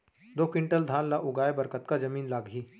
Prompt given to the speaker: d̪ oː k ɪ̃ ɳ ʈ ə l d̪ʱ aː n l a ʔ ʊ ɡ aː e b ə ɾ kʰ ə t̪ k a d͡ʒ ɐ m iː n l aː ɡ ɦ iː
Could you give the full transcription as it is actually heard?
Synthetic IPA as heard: d̪ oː k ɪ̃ ɳ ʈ ə l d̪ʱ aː n l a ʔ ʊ ɡ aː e b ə ɾ k ə t̪ k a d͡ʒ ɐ m iː n l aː ɡ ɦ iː